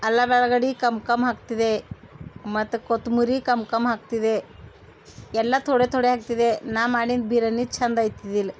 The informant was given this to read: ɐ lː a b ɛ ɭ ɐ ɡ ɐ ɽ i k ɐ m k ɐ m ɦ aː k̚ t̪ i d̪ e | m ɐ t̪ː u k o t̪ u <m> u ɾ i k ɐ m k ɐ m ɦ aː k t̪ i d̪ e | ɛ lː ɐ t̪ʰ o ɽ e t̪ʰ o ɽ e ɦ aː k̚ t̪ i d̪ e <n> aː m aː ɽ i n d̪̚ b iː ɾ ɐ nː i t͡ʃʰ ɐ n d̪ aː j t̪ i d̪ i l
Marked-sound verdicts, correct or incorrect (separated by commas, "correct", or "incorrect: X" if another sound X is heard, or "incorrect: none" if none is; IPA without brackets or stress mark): correct, correct